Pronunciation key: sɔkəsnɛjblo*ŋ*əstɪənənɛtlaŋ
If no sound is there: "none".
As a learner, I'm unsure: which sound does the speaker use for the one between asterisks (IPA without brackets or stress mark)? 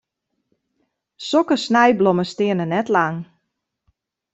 m